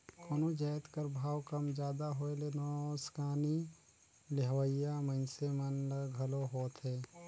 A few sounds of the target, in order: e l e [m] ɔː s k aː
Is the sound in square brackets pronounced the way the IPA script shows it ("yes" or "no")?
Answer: no